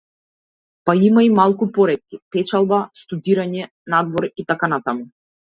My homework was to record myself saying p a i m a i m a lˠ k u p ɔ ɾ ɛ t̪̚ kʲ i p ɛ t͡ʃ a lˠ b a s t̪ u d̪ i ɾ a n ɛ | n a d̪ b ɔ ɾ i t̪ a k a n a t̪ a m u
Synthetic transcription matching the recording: p a i m a i m a lˠ k u p ɔ ɾ ɛ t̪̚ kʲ i p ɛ t͡ʃ a lˠ b a s t̪ u d̪ i ɾ a ɲ ɛ | n a d̪ v ɔ ɾ i t̪ a k a n a t̪ a m u